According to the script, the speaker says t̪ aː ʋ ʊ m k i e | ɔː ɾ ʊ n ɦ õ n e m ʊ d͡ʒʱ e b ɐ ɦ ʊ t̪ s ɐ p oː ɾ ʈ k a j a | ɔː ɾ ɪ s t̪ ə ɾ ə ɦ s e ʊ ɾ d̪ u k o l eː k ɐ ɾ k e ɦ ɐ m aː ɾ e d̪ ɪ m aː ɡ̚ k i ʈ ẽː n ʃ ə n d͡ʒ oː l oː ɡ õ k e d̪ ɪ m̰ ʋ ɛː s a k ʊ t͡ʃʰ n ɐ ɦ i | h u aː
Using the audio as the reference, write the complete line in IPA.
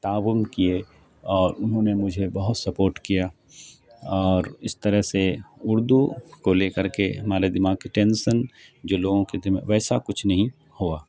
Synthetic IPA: t̪ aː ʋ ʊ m k i e | ɔː ɾ ʊ n ɦ õ n e m ʊ d͡ʒʱ e b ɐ ɦ ʊ t̪ s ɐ p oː ɾ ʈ k i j a | ɔː ɾ ɪ s t̪ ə ɾ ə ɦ s e ʊ ɾ d̪ u k o l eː k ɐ ɾ k e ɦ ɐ m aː ɾ e d̪ ɪ m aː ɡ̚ k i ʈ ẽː n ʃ ə n d͡ʒ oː l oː ɡ õ k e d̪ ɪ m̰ ʋ ɛː s a k ʊ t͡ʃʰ n ɐ ɦ ĩ | h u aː